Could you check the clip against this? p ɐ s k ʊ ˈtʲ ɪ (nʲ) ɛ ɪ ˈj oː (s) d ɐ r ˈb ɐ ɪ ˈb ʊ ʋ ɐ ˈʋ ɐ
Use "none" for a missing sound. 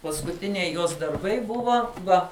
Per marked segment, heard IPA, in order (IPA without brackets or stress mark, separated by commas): nʲ, s